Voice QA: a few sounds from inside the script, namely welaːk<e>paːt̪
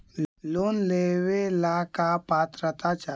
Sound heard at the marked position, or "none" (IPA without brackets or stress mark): a